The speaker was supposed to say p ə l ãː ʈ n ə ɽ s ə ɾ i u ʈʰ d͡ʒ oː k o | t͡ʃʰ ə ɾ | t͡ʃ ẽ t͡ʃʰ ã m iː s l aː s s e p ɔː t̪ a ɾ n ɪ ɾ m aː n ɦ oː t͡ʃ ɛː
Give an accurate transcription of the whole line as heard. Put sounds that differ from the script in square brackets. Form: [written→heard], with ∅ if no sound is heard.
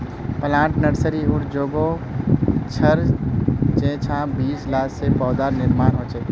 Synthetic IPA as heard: p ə l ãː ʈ n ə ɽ s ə ɾ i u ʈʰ d͡ʒ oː [k→ɡ] o | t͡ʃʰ ə ɾ | t͡ʃ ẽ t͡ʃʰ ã [m→b] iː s l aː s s e p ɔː [t̪→d̪] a ɾ n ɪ ɾ m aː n ɦ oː t͡ʃ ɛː

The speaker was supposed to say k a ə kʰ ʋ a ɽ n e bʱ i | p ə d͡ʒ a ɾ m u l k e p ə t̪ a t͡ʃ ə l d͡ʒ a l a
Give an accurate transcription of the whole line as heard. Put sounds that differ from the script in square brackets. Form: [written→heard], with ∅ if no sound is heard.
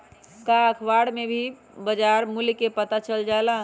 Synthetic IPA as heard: k a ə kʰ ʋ a ɽ [n→m] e bʱ i | [p→b] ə d͡ʒ a ɾ m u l k e p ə t̪ a t͡ʃ ə l d͡ʒ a l a

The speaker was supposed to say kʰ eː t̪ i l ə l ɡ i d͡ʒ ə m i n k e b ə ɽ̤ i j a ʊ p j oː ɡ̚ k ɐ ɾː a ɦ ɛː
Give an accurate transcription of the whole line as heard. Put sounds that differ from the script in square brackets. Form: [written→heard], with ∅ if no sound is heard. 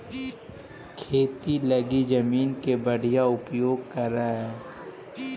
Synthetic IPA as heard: kʰ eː t̪ i l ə [l→∅] ɡ i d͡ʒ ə m [i→iː] n k e b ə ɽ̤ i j a ʊ p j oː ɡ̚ k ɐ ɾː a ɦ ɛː

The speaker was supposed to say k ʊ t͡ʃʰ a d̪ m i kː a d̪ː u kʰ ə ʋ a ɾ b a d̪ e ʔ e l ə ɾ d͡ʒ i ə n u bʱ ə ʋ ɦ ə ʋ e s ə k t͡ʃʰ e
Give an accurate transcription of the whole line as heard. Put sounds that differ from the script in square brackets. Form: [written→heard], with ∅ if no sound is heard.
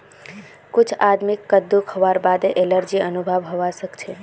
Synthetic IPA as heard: k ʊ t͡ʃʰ a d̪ m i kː [a→ə] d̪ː u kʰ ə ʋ a ɾ b a d̪ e ʔ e l ə ɾ d͡ʒ i ə n u bʱ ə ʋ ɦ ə ʋ [e→a] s ə k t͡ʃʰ e

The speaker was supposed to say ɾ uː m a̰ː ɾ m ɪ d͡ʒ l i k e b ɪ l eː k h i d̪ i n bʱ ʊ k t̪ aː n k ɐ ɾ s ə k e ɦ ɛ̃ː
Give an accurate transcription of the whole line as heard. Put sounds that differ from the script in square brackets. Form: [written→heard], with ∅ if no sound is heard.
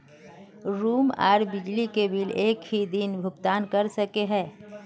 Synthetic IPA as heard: ɾ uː m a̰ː ɾ [m→b] ɪ d͡ʒ l i k e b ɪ l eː k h i d̪ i n bʱ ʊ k t̪ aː n k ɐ ɾ s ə k e ɦ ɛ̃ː

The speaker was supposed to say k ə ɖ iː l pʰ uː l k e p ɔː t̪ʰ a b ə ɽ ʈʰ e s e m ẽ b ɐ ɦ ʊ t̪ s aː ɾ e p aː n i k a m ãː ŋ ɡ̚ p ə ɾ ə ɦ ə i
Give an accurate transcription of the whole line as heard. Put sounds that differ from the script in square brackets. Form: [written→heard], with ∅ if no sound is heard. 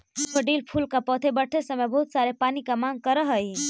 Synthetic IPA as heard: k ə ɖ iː l pʰ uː l k [e→a] p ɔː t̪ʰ [a→e] b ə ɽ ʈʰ e s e m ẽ b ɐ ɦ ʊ t̪ s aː ɾ e p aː n i k a m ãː ŋ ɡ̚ [p→k] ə ɾ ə ɦ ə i

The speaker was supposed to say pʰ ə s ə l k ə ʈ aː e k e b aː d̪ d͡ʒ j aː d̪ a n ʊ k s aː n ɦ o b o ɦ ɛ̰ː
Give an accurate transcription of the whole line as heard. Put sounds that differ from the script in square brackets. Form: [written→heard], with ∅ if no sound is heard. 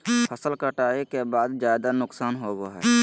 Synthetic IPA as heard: pʰ ə s ə l k ə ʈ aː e k e b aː d̪ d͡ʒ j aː d̪ a n ʊ k s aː n ɦ o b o ɦ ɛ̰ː

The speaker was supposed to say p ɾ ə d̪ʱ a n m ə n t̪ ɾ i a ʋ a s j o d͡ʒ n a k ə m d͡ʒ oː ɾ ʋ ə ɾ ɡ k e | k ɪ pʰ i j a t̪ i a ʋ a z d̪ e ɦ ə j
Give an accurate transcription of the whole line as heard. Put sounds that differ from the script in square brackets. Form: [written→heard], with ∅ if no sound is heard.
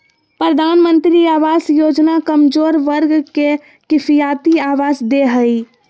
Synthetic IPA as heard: p ɾ ə d̪ʱ a n m ə n t̪ ɾ i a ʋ a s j o d͡ʒ n a k ə m d͡ʒ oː ɾ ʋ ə ɾ ɡ k e | k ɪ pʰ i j a t̪ i a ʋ a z d̪ e ɦ ə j

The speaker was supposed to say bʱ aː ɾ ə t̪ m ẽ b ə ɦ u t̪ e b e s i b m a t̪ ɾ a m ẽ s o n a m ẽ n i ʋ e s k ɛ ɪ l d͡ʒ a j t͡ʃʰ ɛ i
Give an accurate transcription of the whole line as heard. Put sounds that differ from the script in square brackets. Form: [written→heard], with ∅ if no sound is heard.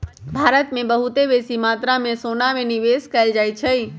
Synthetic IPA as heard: bʱ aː ɾ ə t̪ m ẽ b ə ɦ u t̪ e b e s i [b→∅] m a t̪ ɾ a m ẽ s o n a m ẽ n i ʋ e s k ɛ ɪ l d͡ʒ a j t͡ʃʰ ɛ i

